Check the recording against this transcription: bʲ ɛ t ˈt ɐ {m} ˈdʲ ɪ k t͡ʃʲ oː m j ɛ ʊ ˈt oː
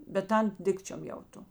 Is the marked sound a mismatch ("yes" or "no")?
yes